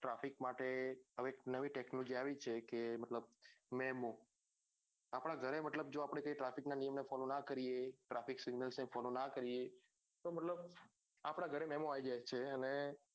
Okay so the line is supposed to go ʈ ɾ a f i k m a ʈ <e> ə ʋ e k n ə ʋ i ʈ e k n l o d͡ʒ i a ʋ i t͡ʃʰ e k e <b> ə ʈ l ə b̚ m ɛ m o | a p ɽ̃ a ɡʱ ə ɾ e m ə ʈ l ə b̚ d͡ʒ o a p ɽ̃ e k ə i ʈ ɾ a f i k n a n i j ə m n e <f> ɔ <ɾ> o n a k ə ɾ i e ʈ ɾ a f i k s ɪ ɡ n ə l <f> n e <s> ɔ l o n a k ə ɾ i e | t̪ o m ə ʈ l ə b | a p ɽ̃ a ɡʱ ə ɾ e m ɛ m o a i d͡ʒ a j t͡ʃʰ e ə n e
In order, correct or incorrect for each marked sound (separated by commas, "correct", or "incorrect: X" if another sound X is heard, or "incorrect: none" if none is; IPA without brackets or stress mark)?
correct, incorrect: m, correct, incorrect: l, incorrect: s, incorrect: f